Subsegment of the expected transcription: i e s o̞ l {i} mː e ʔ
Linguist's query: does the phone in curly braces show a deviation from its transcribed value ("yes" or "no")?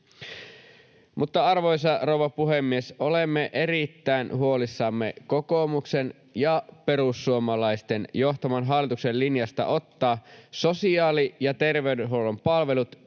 yes